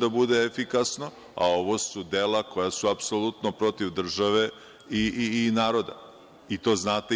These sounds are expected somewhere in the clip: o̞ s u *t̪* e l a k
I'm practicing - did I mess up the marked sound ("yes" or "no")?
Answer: yes